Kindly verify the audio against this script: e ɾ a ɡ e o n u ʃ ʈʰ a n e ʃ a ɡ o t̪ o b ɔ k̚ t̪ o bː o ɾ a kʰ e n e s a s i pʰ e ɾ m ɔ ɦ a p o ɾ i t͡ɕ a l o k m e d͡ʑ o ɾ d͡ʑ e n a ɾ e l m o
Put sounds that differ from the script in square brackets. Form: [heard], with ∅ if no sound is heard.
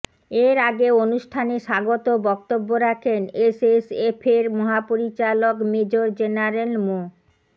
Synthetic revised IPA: e ɾ a ɡ e o n u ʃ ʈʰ a n e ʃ a ɡ o t̪ o b ɔ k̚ t̪ o bː o ɾ a kʰ e n e s [e] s [e] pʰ e ɾ m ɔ ɦ a p o ɾ i t͡ɕ a l o k m e d͡ʑ o ɾ d͡ʑ e n a ɾ e l m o